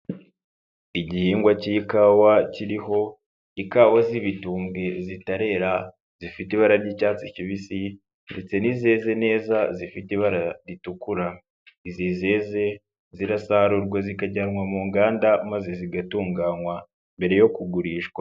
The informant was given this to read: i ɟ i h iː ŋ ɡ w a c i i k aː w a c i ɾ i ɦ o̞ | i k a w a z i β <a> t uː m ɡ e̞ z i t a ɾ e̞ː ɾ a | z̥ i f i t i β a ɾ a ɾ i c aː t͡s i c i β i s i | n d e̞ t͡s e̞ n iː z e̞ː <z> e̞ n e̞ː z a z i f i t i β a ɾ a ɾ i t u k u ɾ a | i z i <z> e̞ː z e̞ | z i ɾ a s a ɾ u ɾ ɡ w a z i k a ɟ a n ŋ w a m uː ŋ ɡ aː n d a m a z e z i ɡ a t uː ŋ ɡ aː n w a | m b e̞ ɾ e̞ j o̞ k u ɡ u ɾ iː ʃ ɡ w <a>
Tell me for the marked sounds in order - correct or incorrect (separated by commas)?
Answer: incorrect, correct, correct, correct